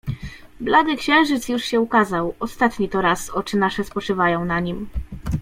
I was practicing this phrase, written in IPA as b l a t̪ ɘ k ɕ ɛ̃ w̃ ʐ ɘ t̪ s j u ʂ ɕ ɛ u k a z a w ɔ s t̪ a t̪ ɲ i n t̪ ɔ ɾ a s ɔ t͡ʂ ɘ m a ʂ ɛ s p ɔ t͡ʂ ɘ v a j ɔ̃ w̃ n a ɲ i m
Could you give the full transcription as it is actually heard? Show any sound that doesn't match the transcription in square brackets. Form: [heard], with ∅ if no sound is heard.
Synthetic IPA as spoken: b l a [d̪] ɘ k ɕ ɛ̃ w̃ ʐ ɘ t̪ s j u ʂ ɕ ɛ u k a z a w ɔ s t̪ a t̪ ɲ i [∅] t̪ ɔ ɾ a s ɔ t͡ʂ ɘ [n] a ʂ ɛ s p ɔ t͡ʂ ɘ v a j ɔ̃ w̃ n a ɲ i m